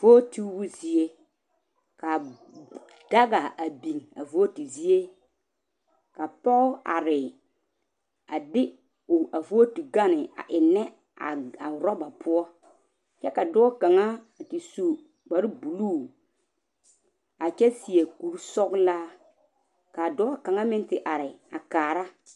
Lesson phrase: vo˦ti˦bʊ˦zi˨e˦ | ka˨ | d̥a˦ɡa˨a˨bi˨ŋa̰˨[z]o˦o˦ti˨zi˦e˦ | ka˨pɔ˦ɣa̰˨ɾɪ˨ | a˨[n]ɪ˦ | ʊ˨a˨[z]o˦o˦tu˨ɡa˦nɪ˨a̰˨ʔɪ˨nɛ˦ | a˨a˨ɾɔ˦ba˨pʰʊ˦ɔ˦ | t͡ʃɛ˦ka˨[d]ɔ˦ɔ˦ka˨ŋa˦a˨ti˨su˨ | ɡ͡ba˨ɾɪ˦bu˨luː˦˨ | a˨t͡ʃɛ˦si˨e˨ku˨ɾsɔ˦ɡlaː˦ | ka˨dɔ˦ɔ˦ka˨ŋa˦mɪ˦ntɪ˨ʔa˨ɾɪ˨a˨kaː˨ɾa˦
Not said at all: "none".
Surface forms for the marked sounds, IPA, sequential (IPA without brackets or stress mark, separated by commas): v, d, v, d